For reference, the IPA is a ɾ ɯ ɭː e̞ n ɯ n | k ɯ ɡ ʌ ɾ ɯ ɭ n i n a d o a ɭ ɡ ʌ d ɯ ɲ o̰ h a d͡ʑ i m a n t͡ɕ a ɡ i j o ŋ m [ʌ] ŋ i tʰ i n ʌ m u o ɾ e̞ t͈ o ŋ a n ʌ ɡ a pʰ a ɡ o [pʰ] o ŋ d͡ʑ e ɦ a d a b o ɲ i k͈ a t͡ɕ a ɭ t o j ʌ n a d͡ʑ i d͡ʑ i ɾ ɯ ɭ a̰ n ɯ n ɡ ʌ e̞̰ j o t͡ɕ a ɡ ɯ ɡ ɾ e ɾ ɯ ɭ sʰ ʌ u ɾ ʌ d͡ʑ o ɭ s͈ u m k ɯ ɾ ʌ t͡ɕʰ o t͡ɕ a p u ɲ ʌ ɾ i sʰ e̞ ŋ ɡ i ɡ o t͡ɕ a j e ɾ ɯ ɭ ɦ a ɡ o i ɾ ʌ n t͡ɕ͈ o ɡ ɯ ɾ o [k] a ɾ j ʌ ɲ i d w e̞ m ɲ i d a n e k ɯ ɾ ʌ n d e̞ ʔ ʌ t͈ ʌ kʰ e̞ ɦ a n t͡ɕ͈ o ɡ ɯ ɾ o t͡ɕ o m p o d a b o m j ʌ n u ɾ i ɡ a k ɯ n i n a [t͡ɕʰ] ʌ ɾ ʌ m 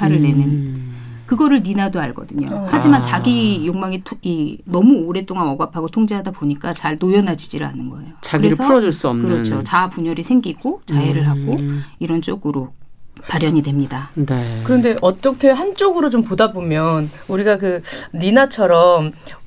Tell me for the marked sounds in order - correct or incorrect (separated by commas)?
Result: incorrect, incorrect, incorrect, correct